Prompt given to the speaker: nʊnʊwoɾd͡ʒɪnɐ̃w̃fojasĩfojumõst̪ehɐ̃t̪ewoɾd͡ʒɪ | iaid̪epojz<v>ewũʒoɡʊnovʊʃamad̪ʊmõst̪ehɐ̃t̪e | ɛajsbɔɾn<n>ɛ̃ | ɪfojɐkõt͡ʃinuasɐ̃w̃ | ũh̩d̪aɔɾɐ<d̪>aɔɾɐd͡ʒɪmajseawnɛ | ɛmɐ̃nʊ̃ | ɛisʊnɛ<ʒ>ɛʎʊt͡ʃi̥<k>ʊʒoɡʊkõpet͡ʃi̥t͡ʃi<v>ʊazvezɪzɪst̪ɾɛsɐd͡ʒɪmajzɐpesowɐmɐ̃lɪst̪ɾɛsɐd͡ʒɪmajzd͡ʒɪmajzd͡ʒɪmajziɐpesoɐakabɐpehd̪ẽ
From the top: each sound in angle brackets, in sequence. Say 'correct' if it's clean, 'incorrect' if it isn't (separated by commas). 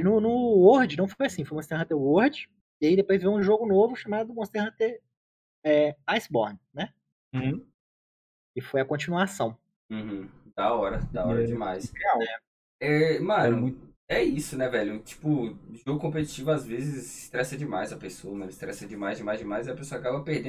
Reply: correct, correct, correct, incorrect, incorrect, correct